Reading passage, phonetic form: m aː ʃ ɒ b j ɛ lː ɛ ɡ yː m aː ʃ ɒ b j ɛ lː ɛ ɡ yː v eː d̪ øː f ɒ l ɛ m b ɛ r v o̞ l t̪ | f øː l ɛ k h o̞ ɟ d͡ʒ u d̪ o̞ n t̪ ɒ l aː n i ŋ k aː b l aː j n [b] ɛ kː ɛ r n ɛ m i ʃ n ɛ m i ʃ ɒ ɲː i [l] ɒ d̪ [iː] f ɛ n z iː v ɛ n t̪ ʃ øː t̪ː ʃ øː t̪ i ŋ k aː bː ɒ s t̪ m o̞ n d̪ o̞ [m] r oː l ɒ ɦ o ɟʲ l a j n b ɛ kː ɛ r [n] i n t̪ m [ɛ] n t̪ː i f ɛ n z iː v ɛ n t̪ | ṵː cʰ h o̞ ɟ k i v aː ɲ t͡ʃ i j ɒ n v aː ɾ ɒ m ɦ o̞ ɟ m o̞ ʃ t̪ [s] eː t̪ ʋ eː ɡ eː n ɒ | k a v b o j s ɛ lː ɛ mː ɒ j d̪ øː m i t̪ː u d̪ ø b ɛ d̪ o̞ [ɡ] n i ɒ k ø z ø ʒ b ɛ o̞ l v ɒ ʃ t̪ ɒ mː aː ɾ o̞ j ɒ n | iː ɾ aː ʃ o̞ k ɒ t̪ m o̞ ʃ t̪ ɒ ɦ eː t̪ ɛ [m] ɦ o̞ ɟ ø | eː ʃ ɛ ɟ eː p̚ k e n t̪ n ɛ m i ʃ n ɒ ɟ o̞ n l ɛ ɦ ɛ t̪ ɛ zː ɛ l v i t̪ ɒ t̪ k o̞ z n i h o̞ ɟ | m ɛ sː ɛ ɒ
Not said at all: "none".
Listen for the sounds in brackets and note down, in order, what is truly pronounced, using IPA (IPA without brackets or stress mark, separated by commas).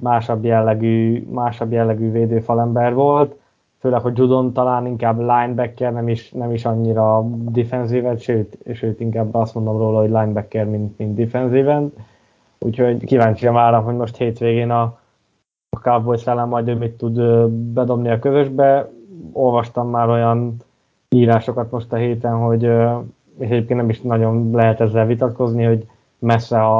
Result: b, ɾ, i, m, m, i, h, b, n